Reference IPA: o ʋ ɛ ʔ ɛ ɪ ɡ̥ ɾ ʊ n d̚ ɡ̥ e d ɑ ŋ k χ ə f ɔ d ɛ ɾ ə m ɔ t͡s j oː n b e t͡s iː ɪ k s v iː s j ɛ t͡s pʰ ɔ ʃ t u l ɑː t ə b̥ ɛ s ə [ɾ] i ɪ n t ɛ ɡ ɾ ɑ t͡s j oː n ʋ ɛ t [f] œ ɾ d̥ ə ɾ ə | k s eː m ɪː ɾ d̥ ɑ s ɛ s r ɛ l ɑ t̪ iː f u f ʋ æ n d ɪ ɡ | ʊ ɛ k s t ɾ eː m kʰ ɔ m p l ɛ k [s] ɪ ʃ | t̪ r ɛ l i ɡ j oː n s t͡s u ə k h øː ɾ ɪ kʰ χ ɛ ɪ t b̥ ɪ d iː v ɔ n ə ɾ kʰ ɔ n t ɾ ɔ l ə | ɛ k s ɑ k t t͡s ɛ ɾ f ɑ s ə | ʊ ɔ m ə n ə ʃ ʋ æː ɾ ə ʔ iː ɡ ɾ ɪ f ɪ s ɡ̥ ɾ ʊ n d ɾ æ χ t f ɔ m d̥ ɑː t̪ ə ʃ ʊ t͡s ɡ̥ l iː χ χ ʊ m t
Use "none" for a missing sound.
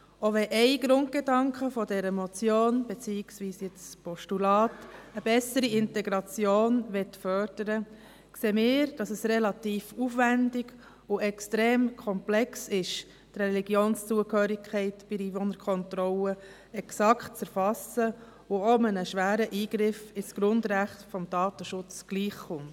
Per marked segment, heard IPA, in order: ɾ, f, s

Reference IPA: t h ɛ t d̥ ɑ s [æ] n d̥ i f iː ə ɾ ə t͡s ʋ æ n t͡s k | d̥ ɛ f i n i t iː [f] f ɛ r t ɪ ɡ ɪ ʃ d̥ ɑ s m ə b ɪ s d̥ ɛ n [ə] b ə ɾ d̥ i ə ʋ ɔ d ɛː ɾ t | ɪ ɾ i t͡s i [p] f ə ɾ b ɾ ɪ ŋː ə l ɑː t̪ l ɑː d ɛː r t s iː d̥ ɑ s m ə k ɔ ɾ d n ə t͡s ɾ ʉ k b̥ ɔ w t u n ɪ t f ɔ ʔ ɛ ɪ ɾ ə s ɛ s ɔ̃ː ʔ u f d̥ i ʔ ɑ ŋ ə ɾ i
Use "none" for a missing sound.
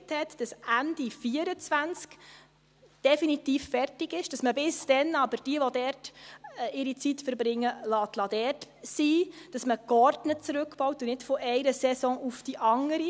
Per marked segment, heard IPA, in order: æ, f, ɑ, t

